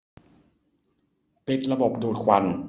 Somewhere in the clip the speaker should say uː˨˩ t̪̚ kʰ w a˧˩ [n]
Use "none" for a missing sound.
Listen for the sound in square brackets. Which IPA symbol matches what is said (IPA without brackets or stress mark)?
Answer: n